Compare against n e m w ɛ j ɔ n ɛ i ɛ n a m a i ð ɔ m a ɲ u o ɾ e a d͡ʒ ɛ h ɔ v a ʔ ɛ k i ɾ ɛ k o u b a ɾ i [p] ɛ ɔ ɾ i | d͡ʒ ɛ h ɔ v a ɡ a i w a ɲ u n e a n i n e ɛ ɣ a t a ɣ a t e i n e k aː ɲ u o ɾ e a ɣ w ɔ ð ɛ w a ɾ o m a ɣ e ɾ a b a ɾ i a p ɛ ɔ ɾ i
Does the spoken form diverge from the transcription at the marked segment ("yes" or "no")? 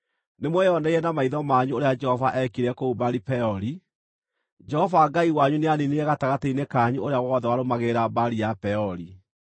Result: no